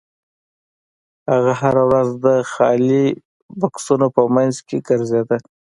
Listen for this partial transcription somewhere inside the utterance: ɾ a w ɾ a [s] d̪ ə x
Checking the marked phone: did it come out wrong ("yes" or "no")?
yes